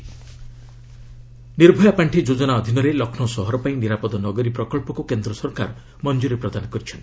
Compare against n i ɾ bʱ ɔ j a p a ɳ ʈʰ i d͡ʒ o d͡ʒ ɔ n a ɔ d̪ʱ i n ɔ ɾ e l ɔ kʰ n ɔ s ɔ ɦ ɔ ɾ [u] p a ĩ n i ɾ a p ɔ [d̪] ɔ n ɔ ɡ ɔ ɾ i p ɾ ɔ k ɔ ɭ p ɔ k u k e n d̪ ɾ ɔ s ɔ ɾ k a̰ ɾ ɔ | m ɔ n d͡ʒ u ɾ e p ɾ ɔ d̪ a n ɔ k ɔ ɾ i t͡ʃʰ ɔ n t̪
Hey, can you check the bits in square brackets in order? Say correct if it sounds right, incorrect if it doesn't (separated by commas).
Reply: incorrect, correct